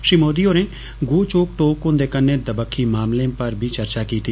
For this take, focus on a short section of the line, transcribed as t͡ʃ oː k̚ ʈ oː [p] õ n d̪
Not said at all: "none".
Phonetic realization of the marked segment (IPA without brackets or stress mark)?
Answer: k